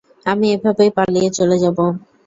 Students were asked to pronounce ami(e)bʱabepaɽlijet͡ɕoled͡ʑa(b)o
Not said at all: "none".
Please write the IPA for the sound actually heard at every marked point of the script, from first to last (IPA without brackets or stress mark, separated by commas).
e, b